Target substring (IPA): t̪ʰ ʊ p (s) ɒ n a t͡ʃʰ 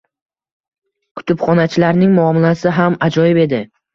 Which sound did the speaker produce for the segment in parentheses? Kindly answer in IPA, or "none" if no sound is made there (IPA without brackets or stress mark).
χ